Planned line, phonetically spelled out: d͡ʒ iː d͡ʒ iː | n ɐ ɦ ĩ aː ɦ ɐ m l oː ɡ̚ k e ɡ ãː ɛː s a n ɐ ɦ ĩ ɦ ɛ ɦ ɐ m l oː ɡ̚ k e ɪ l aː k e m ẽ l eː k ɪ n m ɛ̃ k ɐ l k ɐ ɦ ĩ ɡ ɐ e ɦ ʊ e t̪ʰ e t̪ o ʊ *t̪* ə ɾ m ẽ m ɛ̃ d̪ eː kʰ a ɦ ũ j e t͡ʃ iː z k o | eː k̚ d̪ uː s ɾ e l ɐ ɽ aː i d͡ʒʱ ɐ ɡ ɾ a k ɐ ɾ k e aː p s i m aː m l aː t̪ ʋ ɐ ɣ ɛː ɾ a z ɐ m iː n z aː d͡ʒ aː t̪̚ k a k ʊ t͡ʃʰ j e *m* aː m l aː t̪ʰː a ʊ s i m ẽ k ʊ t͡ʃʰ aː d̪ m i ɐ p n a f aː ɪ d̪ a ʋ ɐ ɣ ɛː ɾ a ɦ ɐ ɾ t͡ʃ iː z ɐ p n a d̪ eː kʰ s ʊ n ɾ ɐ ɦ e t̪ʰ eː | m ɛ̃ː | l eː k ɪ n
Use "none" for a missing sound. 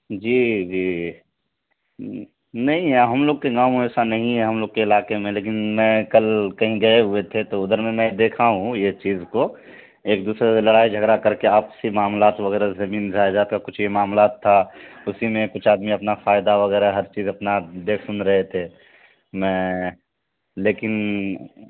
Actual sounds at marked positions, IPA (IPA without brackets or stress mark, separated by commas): d̪, m